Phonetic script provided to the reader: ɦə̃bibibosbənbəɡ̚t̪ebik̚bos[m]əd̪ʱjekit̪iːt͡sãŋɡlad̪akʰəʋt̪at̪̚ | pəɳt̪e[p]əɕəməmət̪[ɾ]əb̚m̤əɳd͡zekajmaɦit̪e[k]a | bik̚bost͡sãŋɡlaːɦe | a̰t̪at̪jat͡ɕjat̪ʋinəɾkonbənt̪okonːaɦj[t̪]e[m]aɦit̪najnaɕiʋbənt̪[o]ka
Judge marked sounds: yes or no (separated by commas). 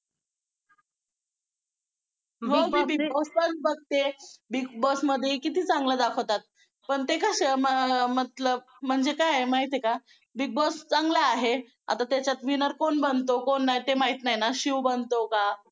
yes, no, no, yes, yes, yes, yes